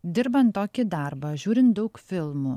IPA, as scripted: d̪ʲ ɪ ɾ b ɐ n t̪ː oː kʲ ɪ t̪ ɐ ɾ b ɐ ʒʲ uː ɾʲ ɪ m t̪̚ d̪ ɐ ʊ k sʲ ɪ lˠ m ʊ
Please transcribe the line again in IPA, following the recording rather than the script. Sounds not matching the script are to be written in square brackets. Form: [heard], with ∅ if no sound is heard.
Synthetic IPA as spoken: d̪ʲ ɪ ɾ b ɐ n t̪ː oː kʲ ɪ [d̪] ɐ ɾ b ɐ ʒʲ uː ɾʲ ɪ [n] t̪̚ d̪ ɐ ʊ k [fʲ] ɪ lˠ m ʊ

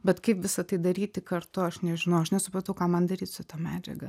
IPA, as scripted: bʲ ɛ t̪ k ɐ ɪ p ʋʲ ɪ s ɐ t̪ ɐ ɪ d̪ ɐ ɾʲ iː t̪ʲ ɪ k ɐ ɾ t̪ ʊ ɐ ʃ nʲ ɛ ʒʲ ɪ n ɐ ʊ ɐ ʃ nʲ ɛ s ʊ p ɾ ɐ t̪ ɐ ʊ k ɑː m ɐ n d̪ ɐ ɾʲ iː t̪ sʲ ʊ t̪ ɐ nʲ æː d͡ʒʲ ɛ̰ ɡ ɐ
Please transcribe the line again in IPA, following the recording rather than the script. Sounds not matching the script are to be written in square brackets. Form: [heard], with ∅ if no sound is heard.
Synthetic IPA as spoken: bʲ ɛ t̪ k ɐ ɪ p ʋʲ ɪ s ɐ t̪ ɐ ɪ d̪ ɐ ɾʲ iː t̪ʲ ɪ k ɐ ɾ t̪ ʊ ɐ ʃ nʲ ɛ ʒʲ ɪ n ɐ ʊ ɐ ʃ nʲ ɛ s ʊ p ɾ ɐ t̪ ɐ ʊ k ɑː m ɐ n d̪ ɐ ɾʲ iː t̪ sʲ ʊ t̪ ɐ [mʲ] æː d͡ʒʲ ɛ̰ ɡ ɐ

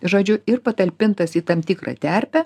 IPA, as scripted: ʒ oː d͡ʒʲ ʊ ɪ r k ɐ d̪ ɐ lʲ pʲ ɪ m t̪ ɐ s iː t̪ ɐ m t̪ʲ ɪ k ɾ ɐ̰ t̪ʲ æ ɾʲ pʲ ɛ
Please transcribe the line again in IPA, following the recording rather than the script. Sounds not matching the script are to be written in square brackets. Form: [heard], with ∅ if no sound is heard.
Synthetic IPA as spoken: ʒ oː d͡ʒʲ ʊ ɪ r [p] ɐ [t̪] ɐ lʲ pʲ ɪ [n] t̪ ɐ s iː t̪ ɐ m t̪ʲ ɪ k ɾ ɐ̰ t̪ʲ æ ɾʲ pʲ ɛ

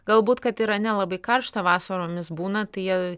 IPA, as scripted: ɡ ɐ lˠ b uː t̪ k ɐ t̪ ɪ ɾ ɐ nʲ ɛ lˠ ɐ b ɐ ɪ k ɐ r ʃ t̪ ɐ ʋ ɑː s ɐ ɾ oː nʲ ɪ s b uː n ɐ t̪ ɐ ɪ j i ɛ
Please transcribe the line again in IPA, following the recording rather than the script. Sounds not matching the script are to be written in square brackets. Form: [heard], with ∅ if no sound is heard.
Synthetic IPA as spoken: ɡ ɐ lˠ b uː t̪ k ɐ t̪ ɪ ɾ ɐ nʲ ɛ lˠ ɐ b ɐ ɪ k ɐ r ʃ t̪ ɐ ʋ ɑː s ɐ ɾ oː [mʲ] ɪ s b uː n ɐ t̪ ɐ ɪ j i ɛ

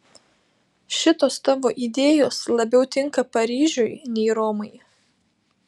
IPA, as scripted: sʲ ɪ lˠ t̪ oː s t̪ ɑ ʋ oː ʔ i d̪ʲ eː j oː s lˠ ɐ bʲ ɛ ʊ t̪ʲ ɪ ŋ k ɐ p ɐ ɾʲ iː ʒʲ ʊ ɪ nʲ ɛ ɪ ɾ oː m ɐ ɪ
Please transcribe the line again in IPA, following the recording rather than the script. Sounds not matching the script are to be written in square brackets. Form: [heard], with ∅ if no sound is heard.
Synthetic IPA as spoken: [ʃʲ] ɪ [∅] t̪ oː s t̪ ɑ ʋ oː ʔ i d̪ʲ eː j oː s lˠ ɐ bʲ ɛ ʊ t̪ʲ ɪ ŋ k ɐ p ɐ ɾʲ iː ʒʲ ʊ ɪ nʲ ɛ ɪ ɾ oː m ɐ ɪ

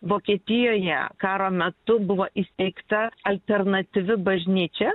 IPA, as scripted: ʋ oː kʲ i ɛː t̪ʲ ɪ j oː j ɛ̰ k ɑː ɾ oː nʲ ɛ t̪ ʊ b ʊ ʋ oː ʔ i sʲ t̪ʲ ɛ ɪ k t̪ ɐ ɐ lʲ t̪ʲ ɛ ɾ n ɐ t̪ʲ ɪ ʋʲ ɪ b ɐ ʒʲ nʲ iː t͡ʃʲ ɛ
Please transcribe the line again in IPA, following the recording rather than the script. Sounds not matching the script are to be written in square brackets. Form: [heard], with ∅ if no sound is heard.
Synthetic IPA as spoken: ʋ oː kʲ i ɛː t̪ʲ ɪ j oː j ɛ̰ k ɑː ɾ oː [mʲ] ɛ t̪ ʊ b ʊ ʋ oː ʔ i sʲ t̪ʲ ɛ ɪ k t̪ ɐ ɐ lʲ t̪ʲ ɛ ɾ n ɐ t̪ʲ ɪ ʋʲ ɪ b ɐ ʒʲ nʲ iː t͡ʃʲ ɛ

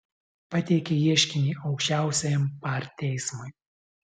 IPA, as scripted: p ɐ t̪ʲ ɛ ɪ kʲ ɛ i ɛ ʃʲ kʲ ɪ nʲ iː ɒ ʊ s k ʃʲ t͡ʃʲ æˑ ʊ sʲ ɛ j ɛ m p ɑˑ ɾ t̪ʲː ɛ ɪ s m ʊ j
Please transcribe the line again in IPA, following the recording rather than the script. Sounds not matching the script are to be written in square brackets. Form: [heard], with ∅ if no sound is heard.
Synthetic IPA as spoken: p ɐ t̪ʲ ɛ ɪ kʲ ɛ i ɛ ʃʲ kʲ ɪ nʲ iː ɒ ʊ [∅] k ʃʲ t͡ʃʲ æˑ ʊ sʲ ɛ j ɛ m p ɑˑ ɾ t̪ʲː ɛ ɪ s m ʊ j

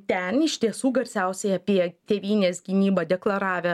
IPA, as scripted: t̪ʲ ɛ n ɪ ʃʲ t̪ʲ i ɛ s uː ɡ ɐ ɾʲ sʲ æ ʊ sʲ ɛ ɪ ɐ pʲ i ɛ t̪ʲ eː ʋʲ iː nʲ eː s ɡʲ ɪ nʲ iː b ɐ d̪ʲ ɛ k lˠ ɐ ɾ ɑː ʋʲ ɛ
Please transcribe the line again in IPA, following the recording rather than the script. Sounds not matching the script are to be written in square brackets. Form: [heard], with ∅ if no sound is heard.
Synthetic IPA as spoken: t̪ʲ ɛ n ɪ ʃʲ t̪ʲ i ɛ s uː ɡ ɐ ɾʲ sʲ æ ʊ sʲ ɛ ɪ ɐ pʲ i ɛ t̪ʲ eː ʋʲ iː nʲ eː s ɡʲ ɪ nʲ iː b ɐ d̪ʲ ɛ k lˠ ɐ ɾ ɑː ʋʲ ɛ

